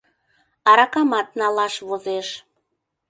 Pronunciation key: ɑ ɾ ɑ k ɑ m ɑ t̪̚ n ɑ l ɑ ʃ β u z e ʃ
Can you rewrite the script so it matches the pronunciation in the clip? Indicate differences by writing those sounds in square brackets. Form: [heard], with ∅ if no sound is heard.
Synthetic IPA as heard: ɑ ɾ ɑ k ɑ m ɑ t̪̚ n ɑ l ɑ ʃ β [o] z e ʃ